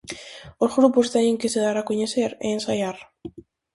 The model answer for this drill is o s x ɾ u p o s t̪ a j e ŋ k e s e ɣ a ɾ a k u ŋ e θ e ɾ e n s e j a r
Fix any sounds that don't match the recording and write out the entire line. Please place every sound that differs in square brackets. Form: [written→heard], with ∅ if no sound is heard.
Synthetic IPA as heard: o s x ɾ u p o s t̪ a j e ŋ k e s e [ɣ→ð] a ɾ a k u [ŋ→ɲ] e [θ→s] e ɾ e n s [e→a] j a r